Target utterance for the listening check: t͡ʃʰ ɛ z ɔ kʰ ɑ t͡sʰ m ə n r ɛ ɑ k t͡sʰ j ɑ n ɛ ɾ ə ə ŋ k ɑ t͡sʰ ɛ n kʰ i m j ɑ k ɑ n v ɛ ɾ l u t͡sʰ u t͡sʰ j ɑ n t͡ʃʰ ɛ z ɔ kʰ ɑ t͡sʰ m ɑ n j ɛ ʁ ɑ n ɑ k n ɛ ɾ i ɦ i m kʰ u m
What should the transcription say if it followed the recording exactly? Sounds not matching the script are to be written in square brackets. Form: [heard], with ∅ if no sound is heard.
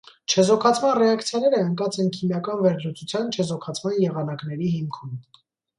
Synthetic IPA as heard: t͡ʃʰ ɛ z ɔ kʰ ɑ t͡sʰ m [ɑ] n r ɛ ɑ k t͡sʰ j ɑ n ɛ ɾ ə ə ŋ k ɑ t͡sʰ ɛ n kʰ i m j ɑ k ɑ n v ɛ ɾ l u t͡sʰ u t͡sʰ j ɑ n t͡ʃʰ ɛ z ɔ kʰ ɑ t͡sʰ m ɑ n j ɛ ʁ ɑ n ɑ k n ɛ ɾ i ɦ i m kʰ u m